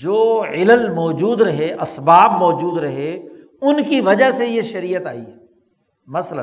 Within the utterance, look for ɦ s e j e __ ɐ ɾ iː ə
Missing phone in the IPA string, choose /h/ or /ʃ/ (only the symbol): ʃ